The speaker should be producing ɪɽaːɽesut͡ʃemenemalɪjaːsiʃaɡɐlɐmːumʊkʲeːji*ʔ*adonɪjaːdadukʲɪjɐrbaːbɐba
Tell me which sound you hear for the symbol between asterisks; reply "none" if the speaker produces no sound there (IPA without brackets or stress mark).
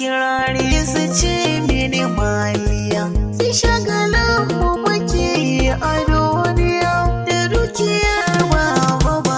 ʔ